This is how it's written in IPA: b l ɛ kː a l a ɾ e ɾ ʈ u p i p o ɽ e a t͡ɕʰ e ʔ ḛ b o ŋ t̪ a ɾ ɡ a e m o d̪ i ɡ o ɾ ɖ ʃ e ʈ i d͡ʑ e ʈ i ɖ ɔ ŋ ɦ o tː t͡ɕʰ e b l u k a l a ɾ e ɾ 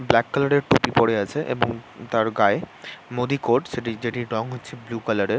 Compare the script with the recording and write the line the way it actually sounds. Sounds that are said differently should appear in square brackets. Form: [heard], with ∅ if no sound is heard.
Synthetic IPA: b l ɛ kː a l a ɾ e ɾ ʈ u p i p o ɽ e a t͡ɕʰ e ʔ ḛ b o ŋ t̪ a ɾ ɡ a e m o d̪ i [k] o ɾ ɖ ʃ e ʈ i d͡ʑ e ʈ i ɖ ɔ ŋ ɦ o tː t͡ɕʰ e b l u k a l a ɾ e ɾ